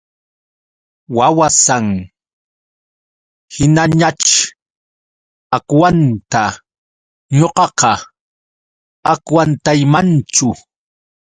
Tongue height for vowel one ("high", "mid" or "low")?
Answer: low